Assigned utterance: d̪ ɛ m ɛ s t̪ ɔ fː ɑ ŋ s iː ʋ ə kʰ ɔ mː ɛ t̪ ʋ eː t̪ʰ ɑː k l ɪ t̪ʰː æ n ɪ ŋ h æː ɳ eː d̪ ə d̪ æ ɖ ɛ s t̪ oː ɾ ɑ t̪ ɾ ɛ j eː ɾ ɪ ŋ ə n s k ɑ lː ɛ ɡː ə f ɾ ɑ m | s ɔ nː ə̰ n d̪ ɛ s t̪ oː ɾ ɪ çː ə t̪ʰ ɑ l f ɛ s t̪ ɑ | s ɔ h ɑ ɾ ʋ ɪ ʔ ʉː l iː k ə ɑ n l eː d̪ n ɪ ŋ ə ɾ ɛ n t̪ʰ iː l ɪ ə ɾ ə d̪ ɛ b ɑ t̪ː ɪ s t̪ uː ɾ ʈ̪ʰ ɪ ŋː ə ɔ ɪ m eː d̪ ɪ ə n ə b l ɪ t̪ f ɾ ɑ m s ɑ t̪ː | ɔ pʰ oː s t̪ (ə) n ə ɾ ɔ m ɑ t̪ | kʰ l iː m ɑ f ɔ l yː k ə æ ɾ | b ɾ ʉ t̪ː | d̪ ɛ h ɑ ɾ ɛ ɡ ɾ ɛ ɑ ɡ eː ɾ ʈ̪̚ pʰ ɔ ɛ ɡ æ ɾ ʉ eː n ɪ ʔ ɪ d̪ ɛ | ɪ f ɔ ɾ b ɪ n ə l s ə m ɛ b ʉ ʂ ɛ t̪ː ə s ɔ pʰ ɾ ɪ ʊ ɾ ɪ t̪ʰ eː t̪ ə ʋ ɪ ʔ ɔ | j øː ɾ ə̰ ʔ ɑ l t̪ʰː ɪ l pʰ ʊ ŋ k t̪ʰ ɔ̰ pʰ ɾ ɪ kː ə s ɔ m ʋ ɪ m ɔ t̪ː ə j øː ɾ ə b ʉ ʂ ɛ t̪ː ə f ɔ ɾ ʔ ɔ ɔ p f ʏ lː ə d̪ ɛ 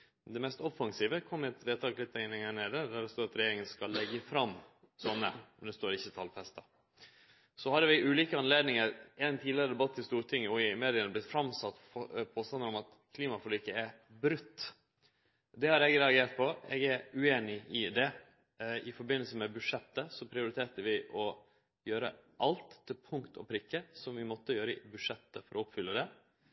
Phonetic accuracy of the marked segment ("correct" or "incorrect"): incorrect